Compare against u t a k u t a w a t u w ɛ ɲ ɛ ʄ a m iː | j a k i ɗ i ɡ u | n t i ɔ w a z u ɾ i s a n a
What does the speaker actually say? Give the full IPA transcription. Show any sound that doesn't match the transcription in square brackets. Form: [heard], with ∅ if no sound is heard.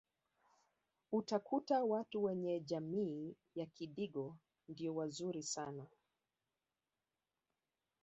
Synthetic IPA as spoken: u t a k u t a w a t u w ɛ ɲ ɛ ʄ a m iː | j a k i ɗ i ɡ [ɔ] | n [d] i ɔ w a z u ɾ i s a n a